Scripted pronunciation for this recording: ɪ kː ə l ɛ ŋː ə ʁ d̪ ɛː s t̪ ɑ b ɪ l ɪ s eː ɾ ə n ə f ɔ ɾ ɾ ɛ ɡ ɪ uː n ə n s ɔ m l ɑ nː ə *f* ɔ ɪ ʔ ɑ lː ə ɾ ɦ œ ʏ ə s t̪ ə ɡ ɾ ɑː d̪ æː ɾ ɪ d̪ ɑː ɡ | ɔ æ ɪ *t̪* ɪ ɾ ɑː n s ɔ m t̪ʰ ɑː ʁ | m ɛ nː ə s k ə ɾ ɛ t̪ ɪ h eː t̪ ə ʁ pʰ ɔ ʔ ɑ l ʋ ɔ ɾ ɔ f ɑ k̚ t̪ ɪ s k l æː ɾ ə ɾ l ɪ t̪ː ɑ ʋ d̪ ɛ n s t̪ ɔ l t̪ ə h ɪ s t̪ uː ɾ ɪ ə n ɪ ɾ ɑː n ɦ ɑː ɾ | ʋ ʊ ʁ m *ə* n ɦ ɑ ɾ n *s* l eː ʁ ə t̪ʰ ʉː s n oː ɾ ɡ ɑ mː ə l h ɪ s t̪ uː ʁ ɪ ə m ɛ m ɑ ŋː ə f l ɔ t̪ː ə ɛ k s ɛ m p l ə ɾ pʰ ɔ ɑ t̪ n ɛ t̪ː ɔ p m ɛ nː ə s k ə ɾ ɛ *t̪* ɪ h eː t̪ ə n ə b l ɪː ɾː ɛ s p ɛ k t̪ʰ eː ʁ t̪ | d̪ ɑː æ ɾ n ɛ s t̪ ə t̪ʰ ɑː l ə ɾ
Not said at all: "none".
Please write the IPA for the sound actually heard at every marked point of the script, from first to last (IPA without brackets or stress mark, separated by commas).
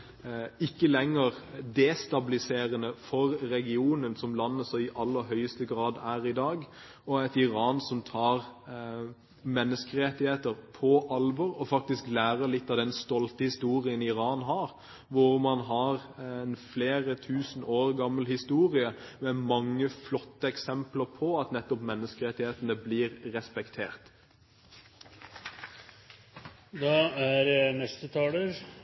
s, t̪, ɑ, f, t̪